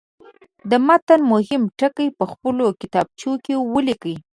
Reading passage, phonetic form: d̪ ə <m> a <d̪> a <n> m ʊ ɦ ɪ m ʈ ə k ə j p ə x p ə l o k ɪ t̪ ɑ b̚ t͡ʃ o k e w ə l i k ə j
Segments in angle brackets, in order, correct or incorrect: correct, incorrect, correct

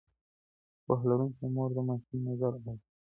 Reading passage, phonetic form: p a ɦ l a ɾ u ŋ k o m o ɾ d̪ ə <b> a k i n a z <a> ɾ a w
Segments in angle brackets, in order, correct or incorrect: incorrect, correct

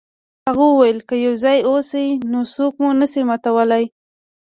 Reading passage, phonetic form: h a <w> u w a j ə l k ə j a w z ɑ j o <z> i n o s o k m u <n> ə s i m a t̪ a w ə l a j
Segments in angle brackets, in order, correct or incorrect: incorrect, incorrect, correct

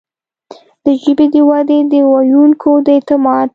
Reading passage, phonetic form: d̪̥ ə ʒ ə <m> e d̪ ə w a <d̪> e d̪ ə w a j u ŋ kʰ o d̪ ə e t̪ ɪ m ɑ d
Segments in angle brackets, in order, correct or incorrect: incorrect, correct

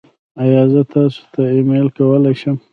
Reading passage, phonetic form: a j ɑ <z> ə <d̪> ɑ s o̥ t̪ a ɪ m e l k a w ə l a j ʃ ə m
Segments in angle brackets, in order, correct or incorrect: correct, incorrect

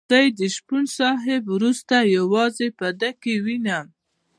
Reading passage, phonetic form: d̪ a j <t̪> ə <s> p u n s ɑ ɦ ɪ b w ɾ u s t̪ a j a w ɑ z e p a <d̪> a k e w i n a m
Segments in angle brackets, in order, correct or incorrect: incorrect, incorrect, correct

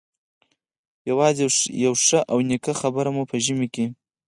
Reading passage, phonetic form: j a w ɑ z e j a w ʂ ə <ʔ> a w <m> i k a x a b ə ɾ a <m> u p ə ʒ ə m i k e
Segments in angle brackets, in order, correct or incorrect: correct, incorrect, correct

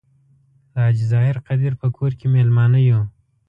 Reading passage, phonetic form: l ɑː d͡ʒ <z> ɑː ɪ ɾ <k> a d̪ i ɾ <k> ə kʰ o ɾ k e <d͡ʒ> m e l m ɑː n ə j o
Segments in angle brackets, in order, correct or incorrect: correct, incorrect, incorrect, incorrect

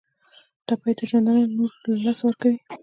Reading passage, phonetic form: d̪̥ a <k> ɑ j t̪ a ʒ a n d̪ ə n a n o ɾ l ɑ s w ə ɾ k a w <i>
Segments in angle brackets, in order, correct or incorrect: incorrect, correct

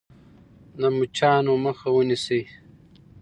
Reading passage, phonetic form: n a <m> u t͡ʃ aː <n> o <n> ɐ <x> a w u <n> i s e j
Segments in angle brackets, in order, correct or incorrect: correct, correct, incorrect, correct, correct

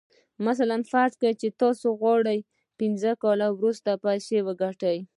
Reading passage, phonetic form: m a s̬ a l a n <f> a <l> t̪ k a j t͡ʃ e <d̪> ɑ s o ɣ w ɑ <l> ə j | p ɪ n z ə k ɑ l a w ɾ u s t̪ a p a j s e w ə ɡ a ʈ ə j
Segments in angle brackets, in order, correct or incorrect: correct, incorrect, incorrect, incorrect

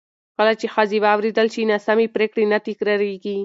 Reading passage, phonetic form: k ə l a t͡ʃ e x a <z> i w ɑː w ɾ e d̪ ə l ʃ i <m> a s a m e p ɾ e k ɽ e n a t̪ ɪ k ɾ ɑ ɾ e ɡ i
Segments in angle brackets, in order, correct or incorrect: correct, incorrect

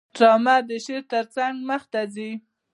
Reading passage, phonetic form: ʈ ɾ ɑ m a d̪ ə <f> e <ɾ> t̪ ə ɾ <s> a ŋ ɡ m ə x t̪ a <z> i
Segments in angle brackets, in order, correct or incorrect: incorrect, correct, incorrect, correct

